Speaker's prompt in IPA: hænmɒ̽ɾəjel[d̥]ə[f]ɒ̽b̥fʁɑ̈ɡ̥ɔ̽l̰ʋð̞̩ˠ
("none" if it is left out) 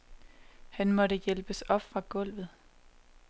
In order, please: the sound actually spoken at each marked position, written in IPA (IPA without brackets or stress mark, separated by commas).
b̥, s